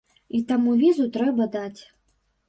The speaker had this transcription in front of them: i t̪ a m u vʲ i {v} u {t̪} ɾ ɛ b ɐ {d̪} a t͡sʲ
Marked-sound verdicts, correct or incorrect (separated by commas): incorrect, correct, correct